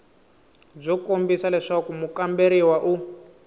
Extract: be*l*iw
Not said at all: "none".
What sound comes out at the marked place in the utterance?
ɾ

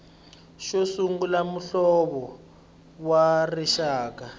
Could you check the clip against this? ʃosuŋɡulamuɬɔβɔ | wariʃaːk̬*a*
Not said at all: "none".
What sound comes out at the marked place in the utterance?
a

